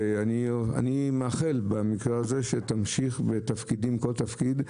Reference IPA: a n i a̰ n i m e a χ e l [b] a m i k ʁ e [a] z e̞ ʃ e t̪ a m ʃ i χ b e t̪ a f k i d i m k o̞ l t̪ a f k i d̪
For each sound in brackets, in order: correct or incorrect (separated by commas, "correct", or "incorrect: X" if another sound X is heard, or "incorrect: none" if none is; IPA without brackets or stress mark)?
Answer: correct, correct